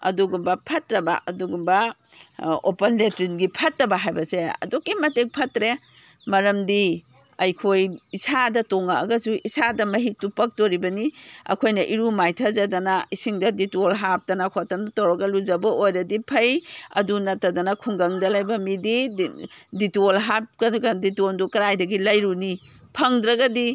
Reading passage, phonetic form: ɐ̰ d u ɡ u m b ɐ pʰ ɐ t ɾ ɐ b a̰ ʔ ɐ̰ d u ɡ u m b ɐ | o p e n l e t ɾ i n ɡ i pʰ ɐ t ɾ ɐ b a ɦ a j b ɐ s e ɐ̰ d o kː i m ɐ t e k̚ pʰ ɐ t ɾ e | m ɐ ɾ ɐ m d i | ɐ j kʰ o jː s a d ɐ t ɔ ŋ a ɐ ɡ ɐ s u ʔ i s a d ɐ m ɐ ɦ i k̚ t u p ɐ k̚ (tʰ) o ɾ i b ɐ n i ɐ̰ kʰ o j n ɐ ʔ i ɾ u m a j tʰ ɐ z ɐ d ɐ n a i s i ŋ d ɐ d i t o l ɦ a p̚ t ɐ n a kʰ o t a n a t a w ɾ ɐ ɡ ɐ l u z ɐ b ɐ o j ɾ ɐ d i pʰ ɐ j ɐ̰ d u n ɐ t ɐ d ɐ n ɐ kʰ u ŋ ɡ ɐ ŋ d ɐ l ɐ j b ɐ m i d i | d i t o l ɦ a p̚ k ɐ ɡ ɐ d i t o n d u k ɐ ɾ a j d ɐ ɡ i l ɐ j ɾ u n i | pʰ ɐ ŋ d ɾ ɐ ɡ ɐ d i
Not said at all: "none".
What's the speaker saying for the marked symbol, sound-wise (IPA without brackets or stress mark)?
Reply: t